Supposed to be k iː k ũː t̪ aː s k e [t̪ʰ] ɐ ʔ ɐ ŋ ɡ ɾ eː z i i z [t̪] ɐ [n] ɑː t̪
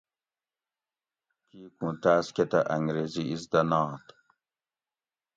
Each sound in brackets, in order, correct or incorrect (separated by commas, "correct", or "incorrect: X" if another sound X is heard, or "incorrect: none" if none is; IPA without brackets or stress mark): incorrect: t̪, incorrect: d̪, correct